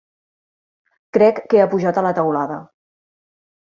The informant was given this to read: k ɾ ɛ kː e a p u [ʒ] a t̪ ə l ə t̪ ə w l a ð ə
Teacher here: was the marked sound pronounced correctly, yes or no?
yes